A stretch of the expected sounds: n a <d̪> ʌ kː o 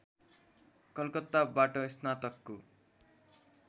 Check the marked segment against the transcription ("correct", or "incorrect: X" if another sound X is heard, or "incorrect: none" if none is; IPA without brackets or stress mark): incorrect: t̪